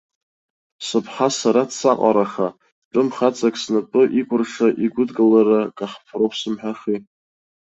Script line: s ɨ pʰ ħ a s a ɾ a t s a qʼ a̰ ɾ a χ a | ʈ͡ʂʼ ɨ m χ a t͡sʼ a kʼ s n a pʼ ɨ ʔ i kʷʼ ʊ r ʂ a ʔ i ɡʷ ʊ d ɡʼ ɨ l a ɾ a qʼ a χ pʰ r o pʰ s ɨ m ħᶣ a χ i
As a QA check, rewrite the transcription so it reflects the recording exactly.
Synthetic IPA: s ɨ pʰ ħ a s a ɾ a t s a qʼ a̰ ɾ a χ a | ʈ͡ʂʼ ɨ m χ a t͡sʼ a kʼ s n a pʼ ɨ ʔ i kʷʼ ʊ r ʂ a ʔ i ɡʷ ʊ d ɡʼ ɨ l a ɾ a kʼ a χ pʰ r o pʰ s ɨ m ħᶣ a χ i